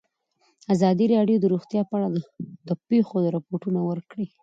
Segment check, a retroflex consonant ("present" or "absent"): present